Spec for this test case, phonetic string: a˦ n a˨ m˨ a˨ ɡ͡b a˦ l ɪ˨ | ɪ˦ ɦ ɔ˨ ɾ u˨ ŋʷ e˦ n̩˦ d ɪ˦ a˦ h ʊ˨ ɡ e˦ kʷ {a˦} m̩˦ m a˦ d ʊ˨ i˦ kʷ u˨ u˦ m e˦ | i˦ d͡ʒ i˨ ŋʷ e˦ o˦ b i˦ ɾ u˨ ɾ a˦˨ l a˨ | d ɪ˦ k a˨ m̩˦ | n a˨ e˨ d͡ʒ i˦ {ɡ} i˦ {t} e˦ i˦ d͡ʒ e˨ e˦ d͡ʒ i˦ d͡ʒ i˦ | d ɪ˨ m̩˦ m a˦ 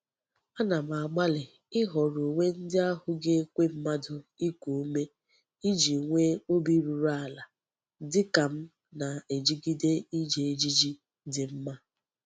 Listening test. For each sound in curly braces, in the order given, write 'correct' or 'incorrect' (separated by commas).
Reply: incorrect, correct, incorrect